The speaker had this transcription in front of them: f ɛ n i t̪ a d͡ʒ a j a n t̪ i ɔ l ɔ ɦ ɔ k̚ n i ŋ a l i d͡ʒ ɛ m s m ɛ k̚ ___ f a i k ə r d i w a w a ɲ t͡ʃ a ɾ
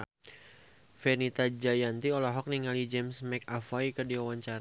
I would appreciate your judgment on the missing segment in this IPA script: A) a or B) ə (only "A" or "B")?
A